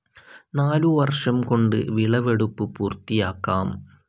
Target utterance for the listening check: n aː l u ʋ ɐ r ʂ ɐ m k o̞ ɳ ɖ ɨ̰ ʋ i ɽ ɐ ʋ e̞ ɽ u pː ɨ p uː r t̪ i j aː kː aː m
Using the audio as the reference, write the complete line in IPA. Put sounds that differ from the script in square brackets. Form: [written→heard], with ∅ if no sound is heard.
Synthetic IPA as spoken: n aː l u ʋ ɐ r ʂ ɐ m k o̞ ɳ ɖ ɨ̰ ʋ i [ɽ→ɭ] ɐ ʋ e̞ ɽ u pː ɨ p uː r t̪ i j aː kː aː m